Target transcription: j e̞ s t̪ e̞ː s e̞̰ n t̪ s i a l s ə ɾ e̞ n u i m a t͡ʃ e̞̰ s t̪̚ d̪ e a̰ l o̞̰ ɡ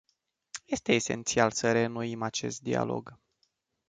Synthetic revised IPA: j e̞ s t̪ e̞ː s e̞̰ n t̪ s i a l s ə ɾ e̞ n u i m a t͡ʃ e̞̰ s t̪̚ d̪ i a̰ l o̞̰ ɡ